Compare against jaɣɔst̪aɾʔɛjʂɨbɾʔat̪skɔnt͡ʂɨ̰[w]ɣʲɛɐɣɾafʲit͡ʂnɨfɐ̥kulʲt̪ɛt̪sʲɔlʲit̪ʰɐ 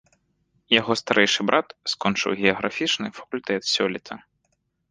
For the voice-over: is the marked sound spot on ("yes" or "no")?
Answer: yes